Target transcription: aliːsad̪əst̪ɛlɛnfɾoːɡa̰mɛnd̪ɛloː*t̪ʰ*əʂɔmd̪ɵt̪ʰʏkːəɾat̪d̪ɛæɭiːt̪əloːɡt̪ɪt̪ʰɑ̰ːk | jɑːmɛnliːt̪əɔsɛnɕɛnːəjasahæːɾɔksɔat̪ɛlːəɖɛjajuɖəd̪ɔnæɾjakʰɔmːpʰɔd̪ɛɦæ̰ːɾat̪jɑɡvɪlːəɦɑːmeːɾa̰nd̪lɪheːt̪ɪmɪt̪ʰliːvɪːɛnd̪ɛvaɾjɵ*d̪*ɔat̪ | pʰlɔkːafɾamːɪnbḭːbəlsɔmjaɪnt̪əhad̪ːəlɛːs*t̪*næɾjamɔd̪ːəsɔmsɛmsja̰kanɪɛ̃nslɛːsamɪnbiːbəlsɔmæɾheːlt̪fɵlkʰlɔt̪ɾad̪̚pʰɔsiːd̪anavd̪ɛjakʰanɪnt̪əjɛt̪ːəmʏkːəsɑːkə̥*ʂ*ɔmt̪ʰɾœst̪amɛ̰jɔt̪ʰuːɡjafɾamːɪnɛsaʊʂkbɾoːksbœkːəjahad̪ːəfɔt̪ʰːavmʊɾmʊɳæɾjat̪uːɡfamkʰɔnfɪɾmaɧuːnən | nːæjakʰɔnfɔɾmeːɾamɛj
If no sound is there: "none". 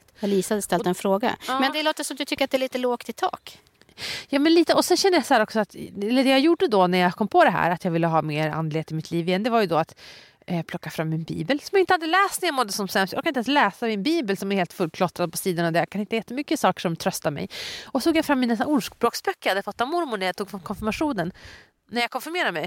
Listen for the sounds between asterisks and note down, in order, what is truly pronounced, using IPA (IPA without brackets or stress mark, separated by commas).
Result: t̪, d̪, t̪, ʂ